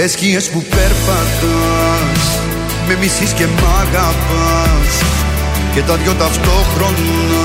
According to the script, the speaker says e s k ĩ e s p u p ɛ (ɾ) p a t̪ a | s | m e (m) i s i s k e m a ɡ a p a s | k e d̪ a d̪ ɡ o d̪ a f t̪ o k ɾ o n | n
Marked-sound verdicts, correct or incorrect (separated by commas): correct, correct